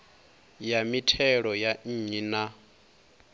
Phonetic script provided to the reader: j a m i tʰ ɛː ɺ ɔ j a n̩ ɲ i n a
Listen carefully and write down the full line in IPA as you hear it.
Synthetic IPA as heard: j a m i tʰ ɛ ɺ ɔ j a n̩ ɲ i n a